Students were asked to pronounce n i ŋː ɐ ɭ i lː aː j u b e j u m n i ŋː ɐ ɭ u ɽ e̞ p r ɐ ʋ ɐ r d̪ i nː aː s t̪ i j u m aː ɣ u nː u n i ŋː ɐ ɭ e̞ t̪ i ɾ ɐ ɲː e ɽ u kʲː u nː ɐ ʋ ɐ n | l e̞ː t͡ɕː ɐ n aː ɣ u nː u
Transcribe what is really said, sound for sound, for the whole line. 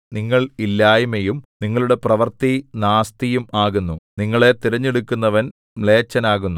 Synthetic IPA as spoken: n i ŋː ɐ ɭ i lː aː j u m e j u m n i ŋː ɐ ɭ u ɽ e̞ p r ɐ ʋ ɐ r t̪ i n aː s t̪ i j u m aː ɣ u nː u n i ŋː ɐ ɭ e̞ t̪ i ɾ ɐ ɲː e ɽ u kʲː u nː ɐ ʋ ɐ n | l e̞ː t͡ɕː ɐ n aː ɣ u nː u

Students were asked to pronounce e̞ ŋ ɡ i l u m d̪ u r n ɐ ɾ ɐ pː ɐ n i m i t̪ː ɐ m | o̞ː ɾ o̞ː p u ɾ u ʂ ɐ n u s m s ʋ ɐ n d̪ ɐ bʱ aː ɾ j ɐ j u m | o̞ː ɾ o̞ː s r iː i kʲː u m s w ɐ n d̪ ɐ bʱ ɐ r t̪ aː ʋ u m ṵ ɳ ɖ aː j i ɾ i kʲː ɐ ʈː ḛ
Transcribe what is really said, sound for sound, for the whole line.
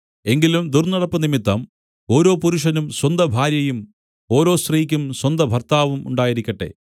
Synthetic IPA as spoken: e̞ ŋ ɡ i l u m d̪ u r n ɐ ɽ ɐ pː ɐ n i m i t̪ː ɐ m | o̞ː ɾ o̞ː p u ɾ u ʂ ɐ n u m s w ɐ n d̪ ɐ bʱ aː ɾ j ɐ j u m | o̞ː ɾ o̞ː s r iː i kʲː u m s w ɐ n d̪ ɐ bʱ ɐ r t̪ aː ʋ u m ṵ ɳ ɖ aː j i ɾ i kʲː ɐ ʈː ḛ

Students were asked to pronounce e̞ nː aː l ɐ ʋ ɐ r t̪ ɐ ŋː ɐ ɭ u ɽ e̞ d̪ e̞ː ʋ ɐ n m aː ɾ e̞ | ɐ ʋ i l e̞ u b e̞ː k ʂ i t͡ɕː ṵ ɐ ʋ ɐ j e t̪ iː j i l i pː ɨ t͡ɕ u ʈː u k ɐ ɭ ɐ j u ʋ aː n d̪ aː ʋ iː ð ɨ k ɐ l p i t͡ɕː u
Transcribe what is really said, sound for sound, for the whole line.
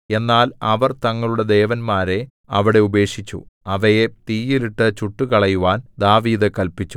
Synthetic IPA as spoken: e̞ nː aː l ɐ ʋ ɐ r t̪ ɐ ŋː ɐ ɭ u ɽ e̞ d̪ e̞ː ʋ ɐ n m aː ɾ e̞ | ɐ ʋ i ɽ e̞ u b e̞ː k ʂ i t͡ɕː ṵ ɐ ʋ ɐ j e t̪ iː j i l i ʈː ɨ t͡ɕ u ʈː u k ɐ ɭ ɐ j u ʋ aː n d̪ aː ʋ iː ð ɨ k ɐ l p i t͡ɕː u

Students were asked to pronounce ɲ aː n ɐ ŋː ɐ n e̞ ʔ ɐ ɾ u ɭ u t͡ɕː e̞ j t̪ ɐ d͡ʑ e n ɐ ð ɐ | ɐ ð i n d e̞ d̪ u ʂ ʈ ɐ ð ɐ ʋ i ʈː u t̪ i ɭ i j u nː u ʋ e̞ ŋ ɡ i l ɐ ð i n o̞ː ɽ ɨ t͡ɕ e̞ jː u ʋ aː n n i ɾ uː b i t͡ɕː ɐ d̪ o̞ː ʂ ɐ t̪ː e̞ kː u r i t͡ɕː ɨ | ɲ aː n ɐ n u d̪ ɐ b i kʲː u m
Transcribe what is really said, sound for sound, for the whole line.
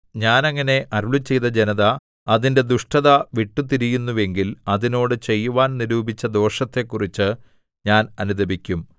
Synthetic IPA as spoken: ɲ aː n ɐ ŋː ɐ n e̞ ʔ ɐ ɾ u ɭ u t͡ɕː e̞ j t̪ ɐ d͡ʑ e n ɐ ð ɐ | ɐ ð i n d e̞ d̪ u ʂ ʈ ɐ ð ɐ ʋ i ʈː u t̪ i ɾ i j u nː u ʋ e̞ ŋ ɡ i l ɐ ð i n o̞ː ɽ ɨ t͡ɕ e̞ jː u ʋ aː n n i ɾ uː b i t͡ɕː ɐ d̪ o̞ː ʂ ɐ t̪ː e̞ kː u r i t͡ɕː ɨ | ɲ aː n ɐ n u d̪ ɐ b i kʲː u m

